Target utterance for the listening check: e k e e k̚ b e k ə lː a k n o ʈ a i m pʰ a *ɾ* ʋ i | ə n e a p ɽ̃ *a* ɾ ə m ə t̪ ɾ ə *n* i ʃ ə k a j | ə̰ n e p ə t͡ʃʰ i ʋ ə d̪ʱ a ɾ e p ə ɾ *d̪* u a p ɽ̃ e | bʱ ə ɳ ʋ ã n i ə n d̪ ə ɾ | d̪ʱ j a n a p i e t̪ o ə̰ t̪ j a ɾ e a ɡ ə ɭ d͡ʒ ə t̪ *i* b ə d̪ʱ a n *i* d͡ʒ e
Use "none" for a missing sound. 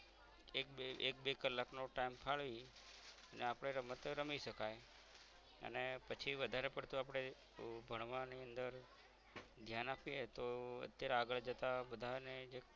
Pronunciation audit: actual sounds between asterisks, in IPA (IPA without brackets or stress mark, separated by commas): ɭ, e, m, t̪, a, e